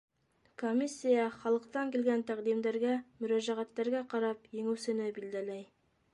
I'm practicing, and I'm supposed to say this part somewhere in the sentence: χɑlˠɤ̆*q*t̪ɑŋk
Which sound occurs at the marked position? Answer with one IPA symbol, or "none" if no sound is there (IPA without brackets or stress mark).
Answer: q